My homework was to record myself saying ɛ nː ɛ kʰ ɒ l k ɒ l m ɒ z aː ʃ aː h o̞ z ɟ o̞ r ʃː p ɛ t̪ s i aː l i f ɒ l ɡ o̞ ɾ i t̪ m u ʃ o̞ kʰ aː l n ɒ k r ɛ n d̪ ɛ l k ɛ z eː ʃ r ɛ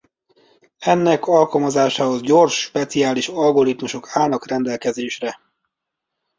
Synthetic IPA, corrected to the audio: ɛ nː ɛ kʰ ɒ l k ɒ l m ɒ z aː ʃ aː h o̞ z ɟ o̞ r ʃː p ɛ t̪ s i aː l i ʃ ɒ l ɡ o̞ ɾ i t̪ m u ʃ o̞ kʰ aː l n ɒ k r ɛ n d̪ ɛ l k ɛ z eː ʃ r ɛ